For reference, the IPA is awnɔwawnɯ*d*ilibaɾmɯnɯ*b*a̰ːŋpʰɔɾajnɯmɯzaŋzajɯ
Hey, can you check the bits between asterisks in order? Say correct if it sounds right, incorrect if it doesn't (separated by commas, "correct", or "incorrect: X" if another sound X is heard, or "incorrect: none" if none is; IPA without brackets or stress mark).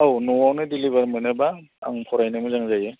correct, correct